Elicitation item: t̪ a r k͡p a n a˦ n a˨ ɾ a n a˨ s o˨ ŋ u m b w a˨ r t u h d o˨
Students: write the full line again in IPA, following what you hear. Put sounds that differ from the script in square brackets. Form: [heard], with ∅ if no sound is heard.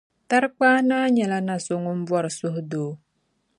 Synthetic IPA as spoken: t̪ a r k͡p a n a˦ [ɲ] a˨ [l] a n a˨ s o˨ ŋ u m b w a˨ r [s] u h d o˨